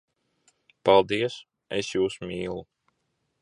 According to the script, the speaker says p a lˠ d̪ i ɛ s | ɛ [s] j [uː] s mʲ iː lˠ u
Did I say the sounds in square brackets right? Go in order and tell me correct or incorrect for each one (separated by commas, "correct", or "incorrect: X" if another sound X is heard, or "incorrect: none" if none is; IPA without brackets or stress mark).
correct, correct